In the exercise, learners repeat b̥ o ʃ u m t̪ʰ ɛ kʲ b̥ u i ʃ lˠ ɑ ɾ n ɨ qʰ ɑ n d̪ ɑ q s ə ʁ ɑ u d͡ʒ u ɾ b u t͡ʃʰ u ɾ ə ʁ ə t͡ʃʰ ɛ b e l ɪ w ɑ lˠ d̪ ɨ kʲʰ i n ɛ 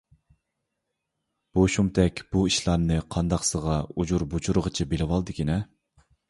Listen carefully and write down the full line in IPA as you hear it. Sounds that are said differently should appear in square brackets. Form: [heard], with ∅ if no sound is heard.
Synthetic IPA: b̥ o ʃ u m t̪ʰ ɛ kʲ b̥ u i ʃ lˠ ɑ ɾ n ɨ qʰ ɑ n d̪ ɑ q s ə ʁ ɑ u d͡ʒ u ɾ b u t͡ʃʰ u ɾ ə ʁ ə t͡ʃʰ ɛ b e l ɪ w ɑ lˠ d̪ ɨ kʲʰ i n ɛ